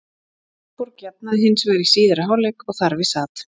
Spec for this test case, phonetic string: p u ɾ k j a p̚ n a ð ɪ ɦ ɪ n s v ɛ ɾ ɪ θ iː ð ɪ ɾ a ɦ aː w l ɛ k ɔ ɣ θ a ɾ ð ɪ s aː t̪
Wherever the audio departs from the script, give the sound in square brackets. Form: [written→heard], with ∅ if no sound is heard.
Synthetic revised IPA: p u ɾ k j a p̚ n a ð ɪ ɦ ɪ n s v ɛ ɾ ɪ [θ→s] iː ð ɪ ɾ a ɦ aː w l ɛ k ɔ ɣ θ a ɾ [ð→v] ɪ s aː t̪